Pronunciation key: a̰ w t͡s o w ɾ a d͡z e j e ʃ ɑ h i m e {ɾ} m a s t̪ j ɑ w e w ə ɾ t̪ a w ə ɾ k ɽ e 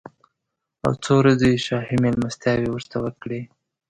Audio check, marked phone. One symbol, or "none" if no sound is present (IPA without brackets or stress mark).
l